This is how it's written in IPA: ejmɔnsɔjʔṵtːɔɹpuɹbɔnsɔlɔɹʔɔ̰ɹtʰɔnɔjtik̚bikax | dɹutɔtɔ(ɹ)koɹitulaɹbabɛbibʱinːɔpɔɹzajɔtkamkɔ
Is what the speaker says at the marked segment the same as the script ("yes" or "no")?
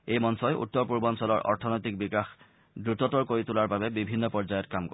yes